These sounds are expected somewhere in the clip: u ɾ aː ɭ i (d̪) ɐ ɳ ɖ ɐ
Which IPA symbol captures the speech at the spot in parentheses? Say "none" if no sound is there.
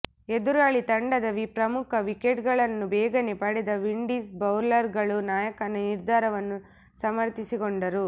t̪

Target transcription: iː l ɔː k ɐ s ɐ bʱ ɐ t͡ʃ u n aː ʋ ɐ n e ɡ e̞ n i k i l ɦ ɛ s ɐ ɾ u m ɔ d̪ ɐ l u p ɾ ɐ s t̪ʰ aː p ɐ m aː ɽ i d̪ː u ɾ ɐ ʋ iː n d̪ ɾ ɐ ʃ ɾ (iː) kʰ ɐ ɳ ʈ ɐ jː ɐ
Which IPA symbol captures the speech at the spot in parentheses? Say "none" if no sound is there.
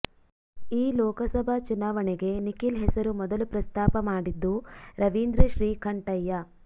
iː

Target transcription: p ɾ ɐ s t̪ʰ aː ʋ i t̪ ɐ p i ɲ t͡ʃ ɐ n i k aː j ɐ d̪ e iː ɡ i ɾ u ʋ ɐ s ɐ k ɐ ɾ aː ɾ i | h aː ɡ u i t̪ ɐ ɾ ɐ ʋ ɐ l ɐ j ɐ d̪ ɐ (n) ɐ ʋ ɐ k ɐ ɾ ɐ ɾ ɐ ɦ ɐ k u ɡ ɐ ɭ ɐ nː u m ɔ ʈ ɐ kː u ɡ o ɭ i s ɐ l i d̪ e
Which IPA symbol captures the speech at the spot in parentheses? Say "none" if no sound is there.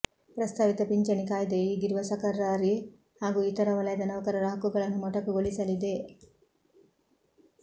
n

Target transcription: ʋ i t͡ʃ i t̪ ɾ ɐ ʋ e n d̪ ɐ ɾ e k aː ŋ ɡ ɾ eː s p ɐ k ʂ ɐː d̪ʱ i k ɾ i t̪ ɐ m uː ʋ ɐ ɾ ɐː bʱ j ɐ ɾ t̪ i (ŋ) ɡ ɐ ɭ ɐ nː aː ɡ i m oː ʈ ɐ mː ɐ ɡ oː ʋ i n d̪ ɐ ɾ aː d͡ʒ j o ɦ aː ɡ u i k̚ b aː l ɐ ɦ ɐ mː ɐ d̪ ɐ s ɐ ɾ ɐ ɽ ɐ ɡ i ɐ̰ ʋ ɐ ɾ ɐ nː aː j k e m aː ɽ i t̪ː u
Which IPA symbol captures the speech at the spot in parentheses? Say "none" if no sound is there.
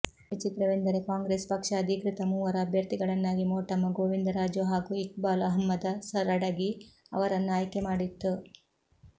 none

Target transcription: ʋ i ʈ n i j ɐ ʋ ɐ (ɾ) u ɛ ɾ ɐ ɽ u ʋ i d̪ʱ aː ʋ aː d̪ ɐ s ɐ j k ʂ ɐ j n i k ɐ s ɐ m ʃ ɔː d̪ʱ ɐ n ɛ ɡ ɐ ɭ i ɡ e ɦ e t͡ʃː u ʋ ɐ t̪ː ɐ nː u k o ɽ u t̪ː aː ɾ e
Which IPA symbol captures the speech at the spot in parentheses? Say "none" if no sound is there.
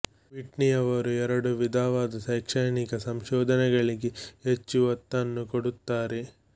ɾ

